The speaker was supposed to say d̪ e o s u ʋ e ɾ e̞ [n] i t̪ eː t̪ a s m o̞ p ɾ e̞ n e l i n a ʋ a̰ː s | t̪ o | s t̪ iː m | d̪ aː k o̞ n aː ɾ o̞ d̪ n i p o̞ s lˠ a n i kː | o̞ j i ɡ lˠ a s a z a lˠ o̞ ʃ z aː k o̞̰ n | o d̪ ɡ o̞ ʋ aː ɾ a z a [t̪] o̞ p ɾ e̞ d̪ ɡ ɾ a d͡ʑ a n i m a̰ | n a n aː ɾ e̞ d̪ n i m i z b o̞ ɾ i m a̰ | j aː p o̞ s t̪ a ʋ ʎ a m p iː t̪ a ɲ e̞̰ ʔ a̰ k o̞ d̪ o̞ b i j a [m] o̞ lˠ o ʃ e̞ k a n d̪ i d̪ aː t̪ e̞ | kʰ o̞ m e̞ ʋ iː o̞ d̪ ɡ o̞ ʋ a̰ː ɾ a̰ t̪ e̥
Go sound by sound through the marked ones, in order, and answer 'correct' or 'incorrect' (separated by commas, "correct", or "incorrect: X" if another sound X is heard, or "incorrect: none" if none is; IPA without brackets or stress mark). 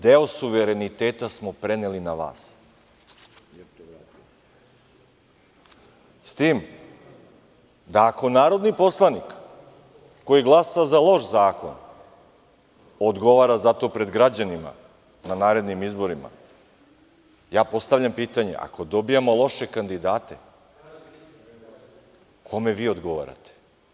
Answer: correct, correct, correct